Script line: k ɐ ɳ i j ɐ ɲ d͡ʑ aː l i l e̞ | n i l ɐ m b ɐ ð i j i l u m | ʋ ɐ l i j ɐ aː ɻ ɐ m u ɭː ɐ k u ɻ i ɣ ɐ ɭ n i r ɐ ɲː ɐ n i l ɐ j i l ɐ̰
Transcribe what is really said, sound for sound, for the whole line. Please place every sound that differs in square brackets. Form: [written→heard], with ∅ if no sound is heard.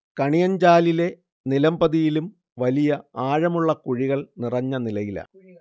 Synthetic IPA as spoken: k ɐ ɳ i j ɐ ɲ d͡ʑ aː l i l e̞ | n i l ɐ m b ɐ ð i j i l u m | ʋ ɐ l i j ɐ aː ɻ ɐ m u ɭː ɐ k u ɻ i ɣ ɐ ɭ n i r ɐ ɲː ɐ n i l ɐ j i l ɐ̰